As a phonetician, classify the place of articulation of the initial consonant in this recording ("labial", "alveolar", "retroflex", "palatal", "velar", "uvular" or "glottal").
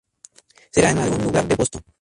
alveolar